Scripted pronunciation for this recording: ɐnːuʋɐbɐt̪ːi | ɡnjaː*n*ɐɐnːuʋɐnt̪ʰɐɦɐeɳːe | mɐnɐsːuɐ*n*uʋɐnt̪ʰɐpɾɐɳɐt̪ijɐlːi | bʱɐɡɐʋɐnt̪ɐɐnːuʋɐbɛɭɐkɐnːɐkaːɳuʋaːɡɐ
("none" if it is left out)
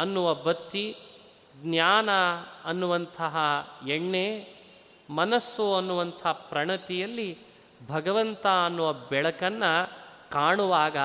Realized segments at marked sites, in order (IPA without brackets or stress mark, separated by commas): n, nː